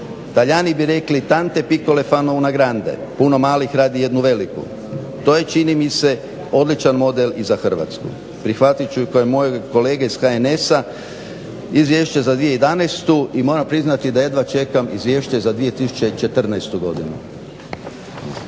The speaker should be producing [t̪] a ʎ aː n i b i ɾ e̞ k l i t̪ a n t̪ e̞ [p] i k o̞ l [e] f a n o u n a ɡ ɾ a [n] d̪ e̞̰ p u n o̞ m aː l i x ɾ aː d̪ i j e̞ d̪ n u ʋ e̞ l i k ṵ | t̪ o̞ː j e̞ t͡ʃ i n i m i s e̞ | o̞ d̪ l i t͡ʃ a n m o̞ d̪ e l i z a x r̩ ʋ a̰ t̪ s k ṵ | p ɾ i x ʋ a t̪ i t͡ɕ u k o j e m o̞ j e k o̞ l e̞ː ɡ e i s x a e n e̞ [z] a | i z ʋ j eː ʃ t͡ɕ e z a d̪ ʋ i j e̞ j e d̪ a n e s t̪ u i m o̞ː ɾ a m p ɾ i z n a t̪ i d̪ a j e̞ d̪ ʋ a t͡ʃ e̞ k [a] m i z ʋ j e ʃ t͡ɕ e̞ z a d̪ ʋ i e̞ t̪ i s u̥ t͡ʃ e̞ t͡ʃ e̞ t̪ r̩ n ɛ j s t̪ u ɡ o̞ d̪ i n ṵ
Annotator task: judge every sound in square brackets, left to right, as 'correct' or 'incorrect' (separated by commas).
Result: correct, correct, correct, correct, incorrect, correct